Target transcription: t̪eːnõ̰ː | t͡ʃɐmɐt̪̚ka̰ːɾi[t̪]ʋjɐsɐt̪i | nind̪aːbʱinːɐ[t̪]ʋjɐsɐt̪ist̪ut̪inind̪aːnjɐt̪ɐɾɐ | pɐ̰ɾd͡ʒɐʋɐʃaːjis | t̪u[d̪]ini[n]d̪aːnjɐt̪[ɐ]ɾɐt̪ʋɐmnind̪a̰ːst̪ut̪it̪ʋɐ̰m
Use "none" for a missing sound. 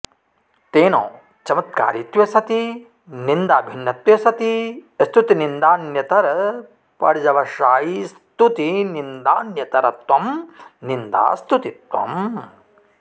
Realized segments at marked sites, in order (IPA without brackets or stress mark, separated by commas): t̪, t̪, t̪, n, ɐ